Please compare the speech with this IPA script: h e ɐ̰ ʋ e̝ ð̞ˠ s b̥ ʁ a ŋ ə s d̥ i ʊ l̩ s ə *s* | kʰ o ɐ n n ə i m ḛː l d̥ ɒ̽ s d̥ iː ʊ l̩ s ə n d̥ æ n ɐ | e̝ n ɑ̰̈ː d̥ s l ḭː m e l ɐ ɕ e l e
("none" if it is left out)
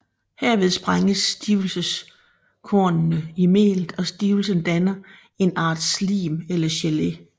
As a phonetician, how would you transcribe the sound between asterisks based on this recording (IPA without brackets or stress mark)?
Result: s